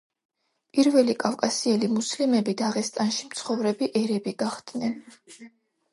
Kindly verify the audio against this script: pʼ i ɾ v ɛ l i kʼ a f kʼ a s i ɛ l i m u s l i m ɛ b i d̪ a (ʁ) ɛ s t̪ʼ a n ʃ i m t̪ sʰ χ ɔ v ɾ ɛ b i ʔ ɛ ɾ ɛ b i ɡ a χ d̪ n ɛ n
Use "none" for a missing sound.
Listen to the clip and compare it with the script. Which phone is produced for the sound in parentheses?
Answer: ʁ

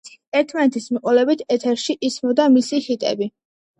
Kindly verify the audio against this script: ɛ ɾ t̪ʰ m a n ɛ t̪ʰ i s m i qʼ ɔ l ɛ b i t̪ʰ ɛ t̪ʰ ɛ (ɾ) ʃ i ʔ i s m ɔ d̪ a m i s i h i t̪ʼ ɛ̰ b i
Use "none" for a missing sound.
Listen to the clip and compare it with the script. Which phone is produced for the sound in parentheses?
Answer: ɾ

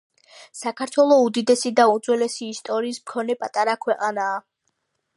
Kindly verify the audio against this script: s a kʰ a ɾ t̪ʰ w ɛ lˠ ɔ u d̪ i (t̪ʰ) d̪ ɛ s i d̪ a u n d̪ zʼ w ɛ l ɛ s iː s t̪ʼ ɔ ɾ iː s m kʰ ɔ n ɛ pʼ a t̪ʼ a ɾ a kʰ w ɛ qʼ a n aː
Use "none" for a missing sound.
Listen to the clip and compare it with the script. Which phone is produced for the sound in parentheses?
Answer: none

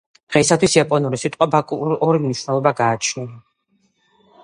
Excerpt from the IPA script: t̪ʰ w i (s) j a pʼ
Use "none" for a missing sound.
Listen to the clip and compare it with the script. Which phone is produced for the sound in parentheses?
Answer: s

